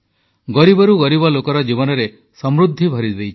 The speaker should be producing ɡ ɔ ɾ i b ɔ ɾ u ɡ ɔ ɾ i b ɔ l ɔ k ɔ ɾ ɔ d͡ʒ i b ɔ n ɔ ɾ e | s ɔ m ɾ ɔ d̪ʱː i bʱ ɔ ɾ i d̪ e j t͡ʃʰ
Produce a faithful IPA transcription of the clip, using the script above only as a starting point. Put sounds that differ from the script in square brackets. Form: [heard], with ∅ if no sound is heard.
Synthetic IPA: ɡ ɔ ɾ i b ɔ ɾ u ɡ ɔ ɾ i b ɔ l [o] k ɔ ɾ ɔ d͡ʒ i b ɔ n ɔ ɾ e | s ɔ m ɾ [u] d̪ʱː i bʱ ɔ ɾ i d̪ e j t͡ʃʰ